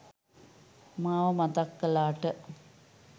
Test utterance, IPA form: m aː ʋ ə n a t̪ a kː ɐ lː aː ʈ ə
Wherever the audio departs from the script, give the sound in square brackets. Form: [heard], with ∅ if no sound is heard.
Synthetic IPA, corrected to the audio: m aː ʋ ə [m] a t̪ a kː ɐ [l] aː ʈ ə